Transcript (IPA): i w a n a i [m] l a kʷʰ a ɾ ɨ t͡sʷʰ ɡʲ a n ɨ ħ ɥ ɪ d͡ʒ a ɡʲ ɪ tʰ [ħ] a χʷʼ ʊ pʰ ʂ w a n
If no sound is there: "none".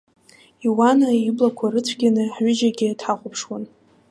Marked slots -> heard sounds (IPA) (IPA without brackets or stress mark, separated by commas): b, ħ